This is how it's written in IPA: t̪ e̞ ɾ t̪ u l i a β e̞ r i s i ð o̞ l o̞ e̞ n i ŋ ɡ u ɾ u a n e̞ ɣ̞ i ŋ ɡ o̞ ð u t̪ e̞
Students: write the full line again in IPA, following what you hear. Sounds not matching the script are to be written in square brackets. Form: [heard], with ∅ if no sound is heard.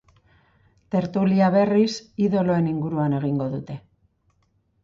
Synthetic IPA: t̪ e̞ ɾ t̪ u l i a β e̞ r i s i ð o̞ l o̞ e̞ n i ŋ ɡ u ɾ u a n e̞ ɣ̞ i ŋ ɡ o̞ ð u t̪ e̞